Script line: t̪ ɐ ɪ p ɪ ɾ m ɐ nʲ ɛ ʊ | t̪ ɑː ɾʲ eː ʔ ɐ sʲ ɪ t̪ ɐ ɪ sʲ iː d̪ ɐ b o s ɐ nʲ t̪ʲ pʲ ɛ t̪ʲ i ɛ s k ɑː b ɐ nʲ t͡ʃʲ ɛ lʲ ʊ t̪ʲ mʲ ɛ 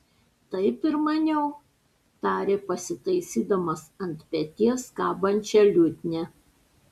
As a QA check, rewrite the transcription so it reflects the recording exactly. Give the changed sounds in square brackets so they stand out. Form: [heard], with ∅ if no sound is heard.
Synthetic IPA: t̪ ɐ ɪ p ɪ ɾ m ɐ nʲ ɛ ʊ | t̪ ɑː ɾʲ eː [p] ɐ sʲ ɪ t̪ ɐ ɪ sʲ iː d̪ ɐ [m] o s ɐ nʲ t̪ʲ pʲ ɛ t̪ʲ i ɛ s k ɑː b ɐ nʲ t͡ʃʲ ɛ lʲ ʊ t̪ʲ [nʲ] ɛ

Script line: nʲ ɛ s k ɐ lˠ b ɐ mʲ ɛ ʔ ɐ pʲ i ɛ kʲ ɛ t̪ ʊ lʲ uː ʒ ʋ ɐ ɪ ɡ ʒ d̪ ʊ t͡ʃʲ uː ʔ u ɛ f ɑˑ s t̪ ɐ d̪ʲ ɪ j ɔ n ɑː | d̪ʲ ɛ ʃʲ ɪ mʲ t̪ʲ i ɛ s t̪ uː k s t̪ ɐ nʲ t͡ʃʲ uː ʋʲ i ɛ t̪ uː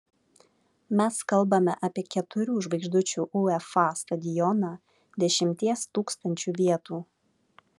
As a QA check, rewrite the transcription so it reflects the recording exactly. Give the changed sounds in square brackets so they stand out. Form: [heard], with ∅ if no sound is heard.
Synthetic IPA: [mʲ] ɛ s k ɐ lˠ b ɐ mʲ ɛ ʔ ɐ pʲ i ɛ kʲ ɛ t̪ ʊ [ɾʲ] uː ʒ ʋ ɐ ɪ ɡ ʒ d̪ ʊ t͡ʃʲ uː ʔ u ɛ f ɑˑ s t̪ ɐ d̪ʲ ɪ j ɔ n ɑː | d̪ʲ ɛ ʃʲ ɪ mʲ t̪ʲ i ɛ s t̪ uː k s t̪ ɐ nʲ t͡ʃʲ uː ʋʲ i ɛ t̪ uː

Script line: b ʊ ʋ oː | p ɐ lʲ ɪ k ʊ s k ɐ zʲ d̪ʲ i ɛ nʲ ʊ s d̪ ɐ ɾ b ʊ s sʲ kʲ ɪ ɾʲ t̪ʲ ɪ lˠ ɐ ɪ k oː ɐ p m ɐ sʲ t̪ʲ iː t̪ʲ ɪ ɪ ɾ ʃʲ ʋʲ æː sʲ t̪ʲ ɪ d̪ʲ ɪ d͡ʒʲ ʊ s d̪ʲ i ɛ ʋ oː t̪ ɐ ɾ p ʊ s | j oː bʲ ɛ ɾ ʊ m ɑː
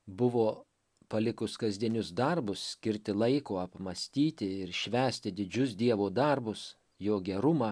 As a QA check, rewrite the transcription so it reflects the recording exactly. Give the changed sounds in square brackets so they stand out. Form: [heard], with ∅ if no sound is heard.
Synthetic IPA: b ʊ ʋ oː | p ɐ lʲ ɪ k ʊ s k ɐ zʲ d̪ʲ i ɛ nʲ ʊ s d̪ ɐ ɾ b ʊ s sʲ kʲ ɪ ɾʲ t̪ʲ ɪ lˠ ɐ ɪ k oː ɐ p m ɐ sʲ t̪ʲ iː t̪ʲ ɪ ɪ ɾ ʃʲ ʋʲ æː sʲ t̪ʲ ɪ d̪ʲ ɪ d͡ʒʲ ʊ s d̪ʲ i ɛ ʋ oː [d̪] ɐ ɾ [b] ʊ s | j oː [ɡʲ] ɛ ɾ ʊ m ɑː

